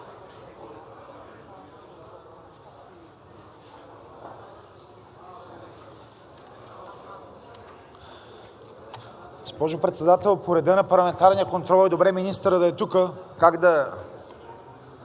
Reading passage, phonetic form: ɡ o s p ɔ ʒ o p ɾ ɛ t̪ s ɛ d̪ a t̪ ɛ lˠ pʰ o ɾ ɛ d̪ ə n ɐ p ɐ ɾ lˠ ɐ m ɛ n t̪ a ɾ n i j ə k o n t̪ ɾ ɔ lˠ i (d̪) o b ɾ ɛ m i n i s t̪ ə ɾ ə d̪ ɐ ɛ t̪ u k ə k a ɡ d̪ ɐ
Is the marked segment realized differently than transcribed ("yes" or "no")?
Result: no